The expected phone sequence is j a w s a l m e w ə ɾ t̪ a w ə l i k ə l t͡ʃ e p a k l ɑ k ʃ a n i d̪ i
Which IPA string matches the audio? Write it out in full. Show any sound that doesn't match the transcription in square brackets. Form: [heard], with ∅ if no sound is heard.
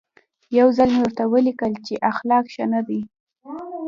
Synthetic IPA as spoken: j a w [z] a l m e w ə ɾ t̪ a w ə l i k ə l t͡ʃ e [ʔ] a [x] l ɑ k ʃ a n [a] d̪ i